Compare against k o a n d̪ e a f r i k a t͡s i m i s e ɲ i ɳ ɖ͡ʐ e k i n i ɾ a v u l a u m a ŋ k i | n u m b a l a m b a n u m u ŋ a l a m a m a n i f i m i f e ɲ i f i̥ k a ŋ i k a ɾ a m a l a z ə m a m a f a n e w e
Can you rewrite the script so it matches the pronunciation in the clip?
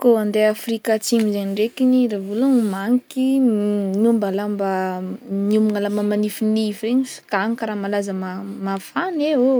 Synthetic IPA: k o a n d̪ e a f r i k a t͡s i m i z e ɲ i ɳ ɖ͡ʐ e k i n i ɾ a v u l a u m a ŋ k i | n u m b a l a m b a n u m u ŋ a l a m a m a n i f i n i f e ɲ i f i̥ k a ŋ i k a ɾ a m a l a z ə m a m a f a n e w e